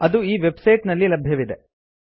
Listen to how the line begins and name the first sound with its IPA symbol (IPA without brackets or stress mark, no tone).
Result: ɐ